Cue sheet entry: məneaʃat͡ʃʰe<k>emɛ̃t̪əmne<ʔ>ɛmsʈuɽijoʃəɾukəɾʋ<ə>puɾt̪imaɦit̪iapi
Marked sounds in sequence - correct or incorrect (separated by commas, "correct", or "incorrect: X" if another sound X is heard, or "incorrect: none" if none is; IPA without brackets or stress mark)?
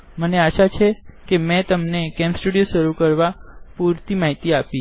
correct, incorrect: k, incorrect: a